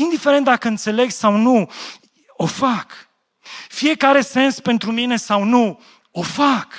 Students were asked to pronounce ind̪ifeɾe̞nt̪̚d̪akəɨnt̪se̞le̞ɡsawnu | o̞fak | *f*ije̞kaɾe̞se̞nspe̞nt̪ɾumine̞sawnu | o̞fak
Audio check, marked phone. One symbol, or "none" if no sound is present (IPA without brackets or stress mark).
f